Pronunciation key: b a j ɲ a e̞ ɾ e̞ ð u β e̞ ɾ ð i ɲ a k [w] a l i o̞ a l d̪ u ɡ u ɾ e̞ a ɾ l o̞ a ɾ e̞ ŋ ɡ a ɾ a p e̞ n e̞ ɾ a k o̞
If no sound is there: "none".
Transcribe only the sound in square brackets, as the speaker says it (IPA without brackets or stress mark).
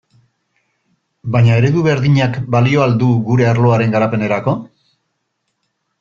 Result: b